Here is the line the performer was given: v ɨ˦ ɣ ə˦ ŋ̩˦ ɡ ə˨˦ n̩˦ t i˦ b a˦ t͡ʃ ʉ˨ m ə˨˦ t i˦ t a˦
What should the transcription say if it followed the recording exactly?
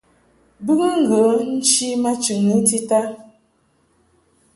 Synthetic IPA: b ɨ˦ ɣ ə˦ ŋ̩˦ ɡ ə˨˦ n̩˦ t͡ʃ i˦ m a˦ t͡ʃ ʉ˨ ŋ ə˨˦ t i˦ t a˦